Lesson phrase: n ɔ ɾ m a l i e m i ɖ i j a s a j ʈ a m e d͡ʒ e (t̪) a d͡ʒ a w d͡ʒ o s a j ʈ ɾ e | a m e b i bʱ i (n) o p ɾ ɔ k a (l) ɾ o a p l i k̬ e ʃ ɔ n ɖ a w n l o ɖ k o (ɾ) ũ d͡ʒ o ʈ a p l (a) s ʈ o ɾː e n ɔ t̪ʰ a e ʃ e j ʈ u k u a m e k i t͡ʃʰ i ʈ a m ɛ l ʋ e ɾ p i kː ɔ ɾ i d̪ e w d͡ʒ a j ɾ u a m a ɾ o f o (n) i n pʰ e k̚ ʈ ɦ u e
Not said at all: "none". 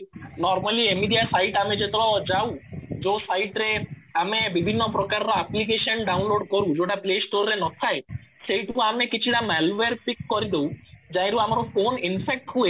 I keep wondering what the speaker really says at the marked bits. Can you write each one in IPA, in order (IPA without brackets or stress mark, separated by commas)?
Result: t̪, nː, ɾ, ɾ, e, n